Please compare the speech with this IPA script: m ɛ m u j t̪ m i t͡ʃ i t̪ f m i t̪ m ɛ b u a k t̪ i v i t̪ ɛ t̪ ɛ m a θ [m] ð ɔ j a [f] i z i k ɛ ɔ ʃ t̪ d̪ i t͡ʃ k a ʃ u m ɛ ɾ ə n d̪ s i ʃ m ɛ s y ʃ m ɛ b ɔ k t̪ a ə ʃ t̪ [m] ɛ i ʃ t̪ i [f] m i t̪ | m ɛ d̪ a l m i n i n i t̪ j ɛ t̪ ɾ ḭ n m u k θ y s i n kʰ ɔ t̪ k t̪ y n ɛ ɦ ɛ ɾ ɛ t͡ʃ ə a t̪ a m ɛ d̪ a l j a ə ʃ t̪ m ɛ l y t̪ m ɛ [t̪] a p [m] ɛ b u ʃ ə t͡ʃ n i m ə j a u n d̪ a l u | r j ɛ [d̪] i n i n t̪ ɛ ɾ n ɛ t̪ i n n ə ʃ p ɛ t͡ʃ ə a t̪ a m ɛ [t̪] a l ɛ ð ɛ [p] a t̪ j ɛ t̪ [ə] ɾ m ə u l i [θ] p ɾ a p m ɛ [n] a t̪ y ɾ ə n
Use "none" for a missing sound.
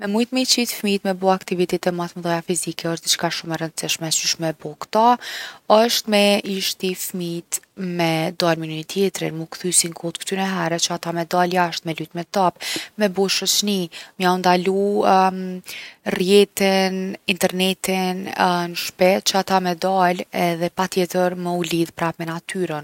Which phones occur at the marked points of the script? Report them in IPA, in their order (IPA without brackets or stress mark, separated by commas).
m, f, m, f, t̪, m, t̪, d̪, p, ə, ð, n